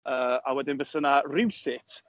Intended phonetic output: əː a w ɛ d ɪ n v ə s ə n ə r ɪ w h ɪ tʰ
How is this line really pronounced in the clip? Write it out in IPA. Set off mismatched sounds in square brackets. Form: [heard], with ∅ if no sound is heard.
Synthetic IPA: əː a w ɛ d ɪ n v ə s ə n [a] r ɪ w [s] ɪ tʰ